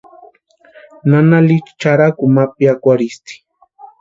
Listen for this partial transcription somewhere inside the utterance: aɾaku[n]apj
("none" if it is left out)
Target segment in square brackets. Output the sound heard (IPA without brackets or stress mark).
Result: m